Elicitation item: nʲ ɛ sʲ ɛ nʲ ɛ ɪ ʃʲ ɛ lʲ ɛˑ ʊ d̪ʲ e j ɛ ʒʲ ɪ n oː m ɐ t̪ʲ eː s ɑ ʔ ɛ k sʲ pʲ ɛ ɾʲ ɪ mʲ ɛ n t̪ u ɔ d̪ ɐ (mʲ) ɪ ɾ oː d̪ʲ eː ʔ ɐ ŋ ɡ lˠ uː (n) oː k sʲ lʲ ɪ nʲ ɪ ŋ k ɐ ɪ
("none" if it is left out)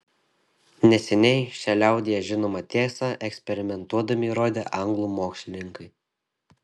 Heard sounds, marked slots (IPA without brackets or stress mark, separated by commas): mʲ, m